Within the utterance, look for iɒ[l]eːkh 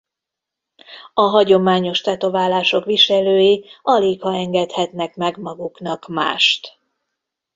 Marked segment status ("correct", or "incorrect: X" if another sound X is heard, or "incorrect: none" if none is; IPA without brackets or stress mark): correct